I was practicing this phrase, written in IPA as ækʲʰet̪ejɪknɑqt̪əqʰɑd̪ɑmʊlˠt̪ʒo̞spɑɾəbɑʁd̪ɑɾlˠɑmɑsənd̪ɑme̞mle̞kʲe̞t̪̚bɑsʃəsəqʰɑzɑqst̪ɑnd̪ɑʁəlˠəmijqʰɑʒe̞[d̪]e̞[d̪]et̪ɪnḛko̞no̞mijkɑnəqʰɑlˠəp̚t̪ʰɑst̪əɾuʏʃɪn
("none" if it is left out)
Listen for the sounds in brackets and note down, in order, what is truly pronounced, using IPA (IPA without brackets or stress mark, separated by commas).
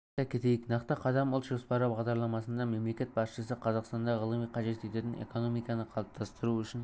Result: t̪, t̪